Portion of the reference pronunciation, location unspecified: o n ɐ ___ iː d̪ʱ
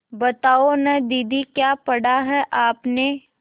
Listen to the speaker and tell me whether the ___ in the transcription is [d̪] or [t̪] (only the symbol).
d̪